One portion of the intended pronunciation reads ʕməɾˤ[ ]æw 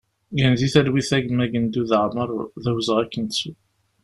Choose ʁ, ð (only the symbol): ð